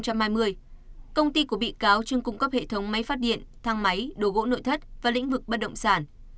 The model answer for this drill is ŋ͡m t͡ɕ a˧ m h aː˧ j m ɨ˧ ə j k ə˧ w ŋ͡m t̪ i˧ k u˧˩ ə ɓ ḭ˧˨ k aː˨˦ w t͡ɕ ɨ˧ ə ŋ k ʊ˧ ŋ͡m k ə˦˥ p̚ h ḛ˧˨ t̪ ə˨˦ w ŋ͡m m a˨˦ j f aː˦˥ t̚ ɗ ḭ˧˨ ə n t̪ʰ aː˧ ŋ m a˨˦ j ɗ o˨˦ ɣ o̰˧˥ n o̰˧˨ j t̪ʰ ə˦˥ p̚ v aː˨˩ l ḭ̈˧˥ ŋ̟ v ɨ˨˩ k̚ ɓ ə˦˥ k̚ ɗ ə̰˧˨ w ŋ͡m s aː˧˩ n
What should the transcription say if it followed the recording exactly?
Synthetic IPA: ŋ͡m t͡ɕ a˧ m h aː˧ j m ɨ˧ ə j k ə˧ w ŋ͡m t̪ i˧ k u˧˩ ə ɓ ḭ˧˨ k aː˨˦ w t͡ɕ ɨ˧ ə ŋ k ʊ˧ ŋ͡m k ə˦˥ p̚ h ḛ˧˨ t̪ʰ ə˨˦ w ŋ͡m m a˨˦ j f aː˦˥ t̚ ɗ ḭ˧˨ ə n t̪ʰ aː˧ ŋ m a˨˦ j ɗ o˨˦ ɣ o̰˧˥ n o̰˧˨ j t̪ʰ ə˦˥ t̚ v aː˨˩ l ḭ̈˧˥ ŋ̟ v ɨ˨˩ k̚ ɓ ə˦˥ t̚ ɗ ə̰˧˨ w ŋ͡m s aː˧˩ n